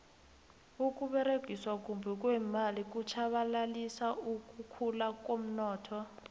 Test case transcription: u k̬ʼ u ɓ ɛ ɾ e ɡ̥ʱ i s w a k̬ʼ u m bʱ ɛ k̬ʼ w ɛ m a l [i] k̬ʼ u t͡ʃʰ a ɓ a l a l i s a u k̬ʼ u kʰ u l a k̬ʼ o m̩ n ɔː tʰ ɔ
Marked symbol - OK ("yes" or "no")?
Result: yes